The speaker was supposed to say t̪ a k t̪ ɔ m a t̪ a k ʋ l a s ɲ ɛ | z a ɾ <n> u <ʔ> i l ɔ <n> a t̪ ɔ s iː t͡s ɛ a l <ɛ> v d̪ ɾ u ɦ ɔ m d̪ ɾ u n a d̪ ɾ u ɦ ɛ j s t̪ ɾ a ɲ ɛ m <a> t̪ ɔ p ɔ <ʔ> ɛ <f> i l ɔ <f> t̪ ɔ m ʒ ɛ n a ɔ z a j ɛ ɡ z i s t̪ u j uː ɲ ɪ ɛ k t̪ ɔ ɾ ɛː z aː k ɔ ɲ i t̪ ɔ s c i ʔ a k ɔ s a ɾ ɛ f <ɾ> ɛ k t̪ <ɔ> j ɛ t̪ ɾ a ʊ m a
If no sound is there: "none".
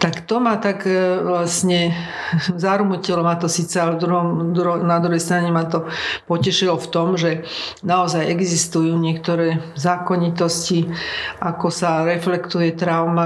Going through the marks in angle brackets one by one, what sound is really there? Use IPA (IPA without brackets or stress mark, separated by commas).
m, c, m, ɛ, a, c, ʃ, f, l, u